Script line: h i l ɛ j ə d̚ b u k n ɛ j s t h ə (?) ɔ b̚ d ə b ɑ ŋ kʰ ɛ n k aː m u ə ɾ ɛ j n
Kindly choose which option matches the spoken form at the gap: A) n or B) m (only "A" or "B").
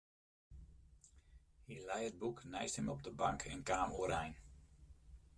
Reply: B